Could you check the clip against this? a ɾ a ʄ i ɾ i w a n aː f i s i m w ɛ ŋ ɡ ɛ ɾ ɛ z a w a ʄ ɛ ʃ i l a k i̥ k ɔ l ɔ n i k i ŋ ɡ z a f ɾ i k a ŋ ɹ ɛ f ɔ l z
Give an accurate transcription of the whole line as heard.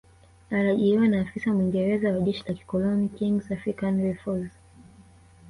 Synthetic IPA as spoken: a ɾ a ʄ i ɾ i w a n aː f i s a m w i ŋ ɡ ɛ ɾ ɛ z a w a ʄ ɛ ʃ i l a k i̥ k ɔ l ɔ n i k i ŋ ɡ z a f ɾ i k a n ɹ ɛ f ɔ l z

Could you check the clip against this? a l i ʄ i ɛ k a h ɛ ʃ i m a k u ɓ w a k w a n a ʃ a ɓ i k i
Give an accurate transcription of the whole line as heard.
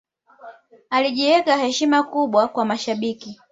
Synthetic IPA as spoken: a l i ʄ i ɛ k a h ɛ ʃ i m a k u ɓ w a k w a m a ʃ a ɓ i k i

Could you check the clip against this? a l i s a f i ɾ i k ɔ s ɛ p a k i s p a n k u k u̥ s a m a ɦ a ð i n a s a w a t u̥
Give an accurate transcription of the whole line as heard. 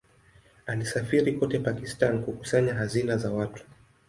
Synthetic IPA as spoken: a l i s a f i ɾ i k ɔ t ɛ p a k i s t a n k u k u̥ s a ɲ a ɦ a z i n a z a w a t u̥

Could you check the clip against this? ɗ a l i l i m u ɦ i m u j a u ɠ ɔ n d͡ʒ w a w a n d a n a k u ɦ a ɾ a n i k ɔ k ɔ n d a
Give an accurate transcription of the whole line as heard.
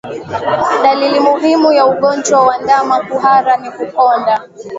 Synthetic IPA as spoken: ɗ a l i l i m u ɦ i m u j a u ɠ ɔ n d͡ʒ w a w a n d a m a k u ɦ a ɾ a n i k u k ɔ n d a

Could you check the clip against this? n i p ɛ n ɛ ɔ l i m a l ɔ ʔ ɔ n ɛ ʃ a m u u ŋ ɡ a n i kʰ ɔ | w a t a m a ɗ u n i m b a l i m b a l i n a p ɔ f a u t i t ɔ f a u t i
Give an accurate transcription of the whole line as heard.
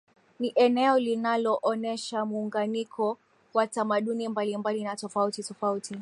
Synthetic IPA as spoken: n i ʔ ɛ n ɛ ɔ l i n a l ɔ ʔ ɔ n ɛ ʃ a m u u ŋ ɡ a n i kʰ ɔ | w a t a m a ɗ u n i m b a l i m b a l i n a t ɔ f a u t i t ɔ f a u t i

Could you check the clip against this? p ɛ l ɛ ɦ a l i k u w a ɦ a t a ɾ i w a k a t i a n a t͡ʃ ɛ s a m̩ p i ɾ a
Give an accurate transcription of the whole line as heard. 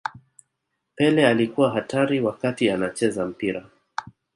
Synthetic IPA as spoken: p ɛ l ɛ a l i k u w a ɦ a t a ɾ i w a k a t i a n a t͡ʃ ɛ z a m̩ p i ɾ a

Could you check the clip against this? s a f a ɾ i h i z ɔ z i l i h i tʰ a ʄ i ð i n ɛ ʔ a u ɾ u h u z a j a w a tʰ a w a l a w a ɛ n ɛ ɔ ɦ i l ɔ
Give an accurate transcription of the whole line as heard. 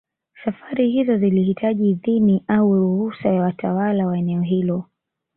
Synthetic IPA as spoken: s a f a ɾ i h i z ɔ z i l i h i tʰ a ʄ i ð i n i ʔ a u ɾ u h u s a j a w a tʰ a w a l a w a ɛ n ɛ ɔ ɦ i l ɔ

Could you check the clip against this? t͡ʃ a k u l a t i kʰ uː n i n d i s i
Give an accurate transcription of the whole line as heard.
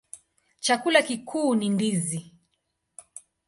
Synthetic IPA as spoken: t͡ʃ a k u l a k i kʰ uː n i n d i z i

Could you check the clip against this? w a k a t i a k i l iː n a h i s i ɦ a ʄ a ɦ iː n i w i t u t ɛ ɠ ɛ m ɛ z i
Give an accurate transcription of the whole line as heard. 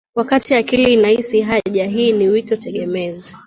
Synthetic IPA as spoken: w a k a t i a k i l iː n a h i s i ɦ a ʄ a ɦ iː n i w i t ɔ t ɛ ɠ ɛ m ɛ z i

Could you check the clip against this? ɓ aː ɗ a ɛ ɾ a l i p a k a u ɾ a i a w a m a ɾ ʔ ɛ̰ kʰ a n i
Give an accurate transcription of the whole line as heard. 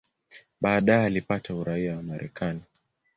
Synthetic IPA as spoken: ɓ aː ɗ a ɛ a l i p a t a u ɾ a i a w a m a ɾ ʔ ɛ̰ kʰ a n i

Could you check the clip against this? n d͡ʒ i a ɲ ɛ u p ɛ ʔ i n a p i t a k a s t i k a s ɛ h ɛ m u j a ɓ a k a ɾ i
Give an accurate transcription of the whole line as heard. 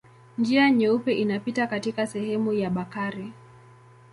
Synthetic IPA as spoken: n d͡ʒ i a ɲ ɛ u p ɛ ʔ i n a p i t a k a t i k a s ɛ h ɛ m u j a ɓ a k a ɾ i

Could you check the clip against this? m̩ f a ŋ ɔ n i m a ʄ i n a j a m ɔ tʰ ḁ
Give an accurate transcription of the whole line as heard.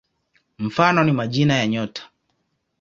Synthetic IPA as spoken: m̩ f a n ɔ n i m a ʄ i n a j a ɲ ɔ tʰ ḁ

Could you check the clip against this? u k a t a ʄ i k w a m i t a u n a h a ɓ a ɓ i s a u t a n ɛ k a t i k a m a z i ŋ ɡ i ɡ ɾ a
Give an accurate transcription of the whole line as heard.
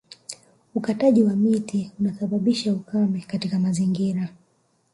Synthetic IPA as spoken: u k a t a ʄ i w a m i t i u n a θ a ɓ a ɓ i ʃ a u k a m ɛ k a t i k a m a z i ŋ ɡ i ɾ a

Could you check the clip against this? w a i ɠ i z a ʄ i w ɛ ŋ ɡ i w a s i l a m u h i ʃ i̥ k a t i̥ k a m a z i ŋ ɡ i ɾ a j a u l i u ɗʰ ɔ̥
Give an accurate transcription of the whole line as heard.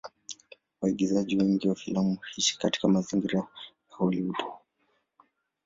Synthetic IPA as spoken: w a i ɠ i z a ʄ i w ɛ ŋ ɡ i w a f i l a m u h i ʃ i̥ k a t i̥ k a m a z i ŋ ɡ i ɾ a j a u l i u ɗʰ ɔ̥

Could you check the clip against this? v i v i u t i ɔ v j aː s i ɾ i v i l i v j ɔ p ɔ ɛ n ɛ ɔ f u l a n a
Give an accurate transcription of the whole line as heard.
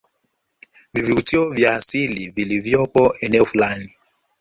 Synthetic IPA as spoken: v i v i u t i ɔ v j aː s i l i v i l i v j ɔ p ɔ ɛ n ɛ ɔ f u l a n i

